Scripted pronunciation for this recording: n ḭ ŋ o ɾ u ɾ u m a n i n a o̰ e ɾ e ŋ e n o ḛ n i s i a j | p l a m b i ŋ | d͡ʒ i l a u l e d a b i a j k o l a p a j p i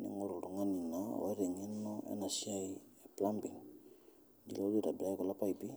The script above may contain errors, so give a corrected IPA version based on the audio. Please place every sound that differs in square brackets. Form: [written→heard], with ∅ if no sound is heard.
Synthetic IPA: n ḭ ŋ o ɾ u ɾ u [m→ŋ] a n i n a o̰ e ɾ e ŋ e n o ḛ n [i→a] s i a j | p l a m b i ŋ | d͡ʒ i l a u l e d a b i a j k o l a p a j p i